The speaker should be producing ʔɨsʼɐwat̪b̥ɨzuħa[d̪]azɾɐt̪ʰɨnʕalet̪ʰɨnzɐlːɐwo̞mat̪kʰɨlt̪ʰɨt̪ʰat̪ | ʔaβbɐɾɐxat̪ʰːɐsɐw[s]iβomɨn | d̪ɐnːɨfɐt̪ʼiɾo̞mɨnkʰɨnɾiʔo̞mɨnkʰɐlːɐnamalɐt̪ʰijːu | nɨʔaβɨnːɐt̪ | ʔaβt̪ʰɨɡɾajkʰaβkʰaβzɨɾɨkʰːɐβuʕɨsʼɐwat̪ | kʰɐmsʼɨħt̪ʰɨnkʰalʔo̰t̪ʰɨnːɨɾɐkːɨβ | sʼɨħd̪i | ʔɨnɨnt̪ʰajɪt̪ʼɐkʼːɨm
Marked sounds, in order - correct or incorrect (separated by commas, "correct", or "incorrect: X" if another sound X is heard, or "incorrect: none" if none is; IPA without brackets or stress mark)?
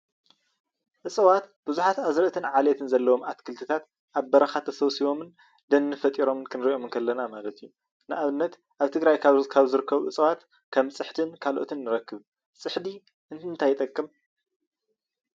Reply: incorrect: t̪, correct